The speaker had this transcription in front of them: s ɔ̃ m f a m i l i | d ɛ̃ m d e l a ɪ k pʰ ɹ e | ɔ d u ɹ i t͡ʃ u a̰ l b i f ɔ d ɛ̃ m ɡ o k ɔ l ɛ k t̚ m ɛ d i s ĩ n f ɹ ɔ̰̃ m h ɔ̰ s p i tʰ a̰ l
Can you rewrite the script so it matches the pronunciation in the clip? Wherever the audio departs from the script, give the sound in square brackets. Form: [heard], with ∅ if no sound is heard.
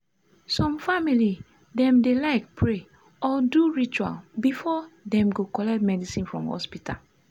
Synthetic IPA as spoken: s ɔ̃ m f a m i l i | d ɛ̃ m d e l a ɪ k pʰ ɹ e | ɔ d u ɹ i t͡ʃ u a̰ l b i f ɔ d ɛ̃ m ɡ o k ɔ l ɛ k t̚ m ɛ d i s ĩ n f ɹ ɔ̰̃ m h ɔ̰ s p i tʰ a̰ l

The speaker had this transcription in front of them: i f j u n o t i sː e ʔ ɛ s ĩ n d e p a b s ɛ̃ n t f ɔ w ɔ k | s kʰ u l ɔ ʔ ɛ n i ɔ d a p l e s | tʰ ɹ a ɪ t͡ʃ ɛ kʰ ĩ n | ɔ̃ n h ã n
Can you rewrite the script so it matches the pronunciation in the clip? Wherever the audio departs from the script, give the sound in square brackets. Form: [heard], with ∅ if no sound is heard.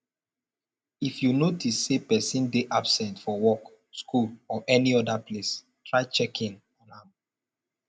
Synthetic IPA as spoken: i f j u n o t i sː e [p] ɛ s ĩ n d e [ʔ] a b s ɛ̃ n t f ɔ w ɔ k | s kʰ u l ɔ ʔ ɛ n i ɔ d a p l e s | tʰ ɹ a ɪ t͡ʃ ɛ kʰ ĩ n | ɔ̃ n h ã [m]

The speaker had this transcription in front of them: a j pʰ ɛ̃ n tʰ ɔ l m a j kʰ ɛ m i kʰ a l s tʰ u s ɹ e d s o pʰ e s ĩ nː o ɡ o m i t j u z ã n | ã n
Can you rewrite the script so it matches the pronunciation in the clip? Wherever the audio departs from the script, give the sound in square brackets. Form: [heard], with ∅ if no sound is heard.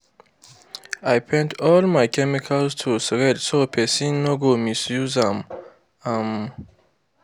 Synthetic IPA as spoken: a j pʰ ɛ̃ n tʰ ɔ l m a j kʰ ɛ m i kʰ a l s tʰ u s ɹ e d s o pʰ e s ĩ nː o ɡ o m i [s] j u z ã [m] | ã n

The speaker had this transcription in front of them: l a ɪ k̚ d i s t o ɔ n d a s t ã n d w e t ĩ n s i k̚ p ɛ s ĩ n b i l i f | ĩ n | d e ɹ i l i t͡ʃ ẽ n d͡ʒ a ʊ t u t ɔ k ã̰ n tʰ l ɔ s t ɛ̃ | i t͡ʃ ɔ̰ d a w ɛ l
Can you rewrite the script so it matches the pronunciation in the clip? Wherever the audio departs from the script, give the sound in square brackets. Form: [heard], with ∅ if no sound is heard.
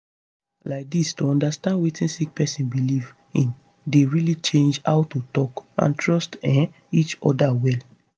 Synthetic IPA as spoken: l a ɪ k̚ d i s t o [ɔ̃] n d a s t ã n d w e t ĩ n s i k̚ p ɛ s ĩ n b i l i [v] | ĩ n | d e ɹ i l i t͡ʃ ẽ n d͡ʒ a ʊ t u t ɔ k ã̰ n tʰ [ɹ] ɔ s t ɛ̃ | i t͡ʃ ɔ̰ d a w ɛ l

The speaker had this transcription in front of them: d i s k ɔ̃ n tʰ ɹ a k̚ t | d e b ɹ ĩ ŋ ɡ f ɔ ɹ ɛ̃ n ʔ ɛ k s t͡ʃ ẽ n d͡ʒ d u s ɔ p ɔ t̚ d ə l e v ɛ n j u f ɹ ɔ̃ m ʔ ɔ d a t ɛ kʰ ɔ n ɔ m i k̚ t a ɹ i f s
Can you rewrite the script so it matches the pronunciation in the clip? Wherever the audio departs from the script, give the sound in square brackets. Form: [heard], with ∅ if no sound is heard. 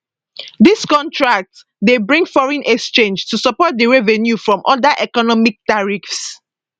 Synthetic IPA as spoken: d i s k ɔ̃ n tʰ ɹ a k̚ t | d e b ɹ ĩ ŋ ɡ f ɔ ɹ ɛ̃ n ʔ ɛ k s t͡ʃ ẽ n d͡ʒ [t] u s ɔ p ɔ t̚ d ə [ɹ] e v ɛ n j u f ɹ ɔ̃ m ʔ ɔ d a [ʔ] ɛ [k] ɔ n ɔ m i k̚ t a ɹ i f s

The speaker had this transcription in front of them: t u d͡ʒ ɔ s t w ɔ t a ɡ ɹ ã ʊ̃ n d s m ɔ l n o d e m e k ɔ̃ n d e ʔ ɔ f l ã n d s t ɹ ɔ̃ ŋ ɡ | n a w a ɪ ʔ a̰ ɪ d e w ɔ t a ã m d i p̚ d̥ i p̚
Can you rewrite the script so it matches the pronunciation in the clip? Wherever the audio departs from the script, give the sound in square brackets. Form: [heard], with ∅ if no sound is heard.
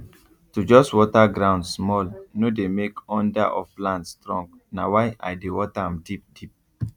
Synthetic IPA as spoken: t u d͡ʒ ɔ s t w ɔ t a ɡ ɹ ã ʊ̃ n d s m ɔ l n o d e m e k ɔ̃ n d [a] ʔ ɔ f l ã n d s t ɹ ɔ̃ ŋ ɡ | n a w a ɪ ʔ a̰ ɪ d e w ɔ t a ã m d i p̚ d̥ i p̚

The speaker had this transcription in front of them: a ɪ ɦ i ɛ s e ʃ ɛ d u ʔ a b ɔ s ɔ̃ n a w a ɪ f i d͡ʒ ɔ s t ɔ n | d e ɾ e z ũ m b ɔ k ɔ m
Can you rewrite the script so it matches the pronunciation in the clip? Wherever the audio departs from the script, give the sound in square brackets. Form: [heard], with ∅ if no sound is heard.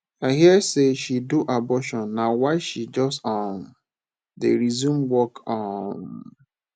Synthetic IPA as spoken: a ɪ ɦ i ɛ s e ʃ [i] d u ʔ a b ɔ [ʃ] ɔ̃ [nː] a w a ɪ [ʃ] i d͡ʒ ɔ s t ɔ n | d e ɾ [i] z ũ m [w] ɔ k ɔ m

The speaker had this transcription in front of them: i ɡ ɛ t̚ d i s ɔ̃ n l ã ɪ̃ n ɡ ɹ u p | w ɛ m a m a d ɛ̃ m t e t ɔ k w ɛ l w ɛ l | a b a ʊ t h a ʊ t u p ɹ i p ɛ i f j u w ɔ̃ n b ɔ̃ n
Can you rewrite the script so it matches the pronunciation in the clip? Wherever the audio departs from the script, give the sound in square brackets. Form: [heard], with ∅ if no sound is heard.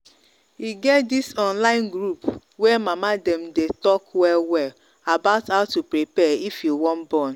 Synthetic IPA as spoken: i ɡ ɛ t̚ d i s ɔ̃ n l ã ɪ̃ n ɡ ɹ u p | w ɛ m a m a d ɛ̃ m [d] e t ɔ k w ɛ l w ɛ l | a b a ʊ t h a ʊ t u p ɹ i p ɛ i f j u w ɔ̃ n b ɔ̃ n

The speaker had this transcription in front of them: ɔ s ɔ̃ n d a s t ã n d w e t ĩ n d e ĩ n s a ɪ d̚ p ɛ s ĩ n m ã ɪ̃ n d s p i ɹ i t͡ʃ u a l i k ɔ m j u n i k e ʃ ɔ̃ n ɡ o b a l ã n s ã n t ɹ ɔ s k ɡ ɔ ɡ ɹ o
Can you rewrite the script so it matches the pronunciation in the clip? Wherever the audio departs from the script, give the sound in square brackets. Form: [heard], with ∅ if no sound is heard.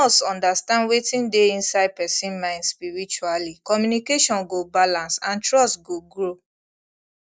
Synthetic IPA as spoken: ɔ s ɔ̃ n d a s t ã n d w e t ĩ n d e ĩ n s a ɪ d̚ p ɛ s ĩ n m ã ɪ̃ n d s p i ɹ i t͡ʃ u a l i k ɔ m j u n i k e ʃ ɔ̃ n ɡ o b a l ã n s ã n t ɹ ɔ s [t] ɡ [o] ɡ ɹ o

